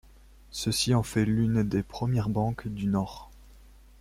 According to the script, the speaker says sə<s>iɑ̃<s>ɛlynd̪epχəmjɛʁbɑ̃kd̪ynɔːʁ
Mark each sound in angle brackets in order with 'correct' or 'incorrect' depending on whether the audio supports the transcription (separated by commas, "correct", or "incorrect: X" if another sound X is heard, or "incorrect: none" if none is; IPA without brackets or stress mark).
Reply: correct, incorrect: f